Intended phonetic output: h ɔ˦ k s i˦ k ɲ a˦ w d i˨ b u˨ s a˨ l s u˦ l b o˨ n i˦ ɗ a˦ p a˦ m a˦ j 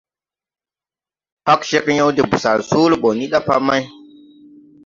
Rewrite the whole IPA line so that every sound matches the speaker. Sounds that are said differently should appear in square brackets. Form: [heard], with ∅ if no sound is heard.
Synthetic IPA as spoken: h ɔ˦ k [ʃ] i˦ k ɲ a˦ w d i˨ b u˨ s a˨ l s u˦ l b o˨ n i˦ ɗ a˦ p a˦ m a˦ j